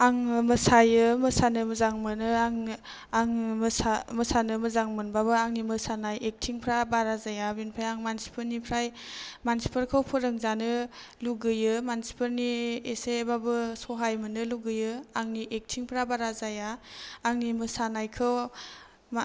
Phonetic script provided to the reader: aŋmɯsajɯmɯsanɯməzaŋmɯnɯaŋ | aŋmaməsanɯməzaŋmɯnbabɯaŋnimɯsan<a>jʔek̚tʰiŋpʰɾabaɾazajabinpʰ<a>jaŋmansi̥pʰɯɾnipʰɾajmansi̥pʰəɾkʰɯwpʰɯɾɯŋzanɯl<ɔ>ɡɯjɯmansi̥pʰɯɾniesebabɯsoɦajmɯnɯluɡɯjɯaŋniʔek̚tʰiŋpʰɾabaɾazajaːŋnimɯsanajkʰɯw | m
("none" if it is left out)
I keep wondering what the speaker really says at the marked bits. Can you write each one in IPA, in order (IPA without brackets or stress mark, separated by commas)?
a, a, u